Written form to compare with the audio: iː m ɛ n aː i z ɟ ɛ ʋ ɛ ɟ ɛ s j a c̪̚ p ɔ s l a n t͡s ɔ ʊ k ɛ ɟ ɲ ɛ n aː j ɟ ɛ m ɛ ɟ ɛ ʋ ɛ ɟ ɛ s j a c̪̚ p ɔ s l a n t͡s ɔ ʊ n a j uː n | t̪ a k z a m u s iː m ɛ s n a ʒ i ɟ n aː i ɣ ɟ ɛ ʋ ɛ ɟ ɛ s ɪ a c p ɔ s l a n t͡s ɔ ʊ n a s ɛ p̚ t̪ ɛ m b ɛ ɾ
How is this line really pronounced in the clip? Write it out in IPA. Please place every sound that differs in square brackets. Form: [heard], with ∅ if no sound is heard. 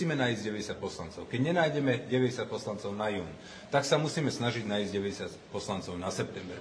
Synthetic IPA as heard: iː m ɛ n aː i z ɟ ɛ ʋ ɛ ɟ ɛ s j a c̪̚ p ɔ s l a n t͡s ɔ ʊ k ɛ ɟ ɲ ɛ n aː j ɟ ɛ m ɛ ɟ ɛ ʋ ɛ ɟ ɛ s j a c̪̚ p ɔ s l a n t͡s ɔ ʊ n a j uː n | t̪ a k [s] a m u s iː m ɛ s n a ʒ i ɟ n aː i [z] ɟ ɛ ʋ ɛ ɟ ɛ s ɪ a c p ɔ s l a n t͡s ɔ ʊ n a s ɛ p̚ t̪ ɛ m b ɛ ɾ